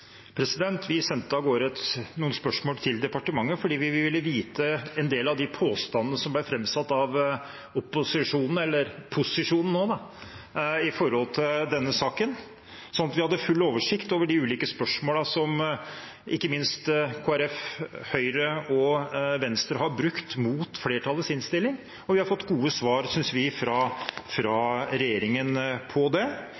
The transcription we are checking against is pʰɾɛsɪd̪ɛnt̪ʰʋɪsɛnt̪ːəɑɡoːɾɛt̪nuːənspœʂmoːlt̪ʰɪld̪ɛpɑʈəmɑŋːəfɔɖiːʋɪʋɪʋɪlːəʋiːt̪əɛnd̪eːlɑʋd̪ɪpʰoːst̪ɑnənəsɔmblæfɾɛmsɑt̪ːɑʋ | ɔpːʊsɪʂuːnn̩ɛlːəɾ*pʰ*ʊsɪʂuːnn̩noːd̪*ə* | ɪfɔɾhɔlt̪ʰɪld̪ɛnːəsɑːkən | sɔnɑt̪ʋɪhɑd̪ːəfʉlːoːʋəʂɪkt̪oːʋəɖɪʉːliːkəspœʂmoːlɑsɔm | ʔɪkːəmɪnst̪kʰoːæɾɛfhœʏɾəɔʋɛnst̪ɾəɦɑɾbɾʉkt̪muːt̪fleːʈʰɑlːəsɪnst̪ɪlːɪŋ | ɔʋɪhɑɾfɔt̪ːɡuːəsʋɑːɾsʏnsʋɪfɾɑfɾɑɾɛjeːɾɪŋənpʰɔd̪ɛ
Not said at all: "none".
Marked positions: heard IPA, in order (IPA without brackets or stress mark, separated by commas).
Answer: pʰ, ɑ